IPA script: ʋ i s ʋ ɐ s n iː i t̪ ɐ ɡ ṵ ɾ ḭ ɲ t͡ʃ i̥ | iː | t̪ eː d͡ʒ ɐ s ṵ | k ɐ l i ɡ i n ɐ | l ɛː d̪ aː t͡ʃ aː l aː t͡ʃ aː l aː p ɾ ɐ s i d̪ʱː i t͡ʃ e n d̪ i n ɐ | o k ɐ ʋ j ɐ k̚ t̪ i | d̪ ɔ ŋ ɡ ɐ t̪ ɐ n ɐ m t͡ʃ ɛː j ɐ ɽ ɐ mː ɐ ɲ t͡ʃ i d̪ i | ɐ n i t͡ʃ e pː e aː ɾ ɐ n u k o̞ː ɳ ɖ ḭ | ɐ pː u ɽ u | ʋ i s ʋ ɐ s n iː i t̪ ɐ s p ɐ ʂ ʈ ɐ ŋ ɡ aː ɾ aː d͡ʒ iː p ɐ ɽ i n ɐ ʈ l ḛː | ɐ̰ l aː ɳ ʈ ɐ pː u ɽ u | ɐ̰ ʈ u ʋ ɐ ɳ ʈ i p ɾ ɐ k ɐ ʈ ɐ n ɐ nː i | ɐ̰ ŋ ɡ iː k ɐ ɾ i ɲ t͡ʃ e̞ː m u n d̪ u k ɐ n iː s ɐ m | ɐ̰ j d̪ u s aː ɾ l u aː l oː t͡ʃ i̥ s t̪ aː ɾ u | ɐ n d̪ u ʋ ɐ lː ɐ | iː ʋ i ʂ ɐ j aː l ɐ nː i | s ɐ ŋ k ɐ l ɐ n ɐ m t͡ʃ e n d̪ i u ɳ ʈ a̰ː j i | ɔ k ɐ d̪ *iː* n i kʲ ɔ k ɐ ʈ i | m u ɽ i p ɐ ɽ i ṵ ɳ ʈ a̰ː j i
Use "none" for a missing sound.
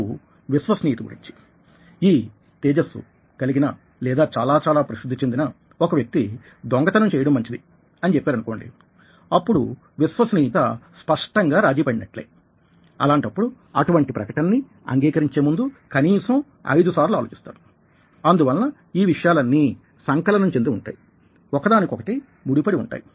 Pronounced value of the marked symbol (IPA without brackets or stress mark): aː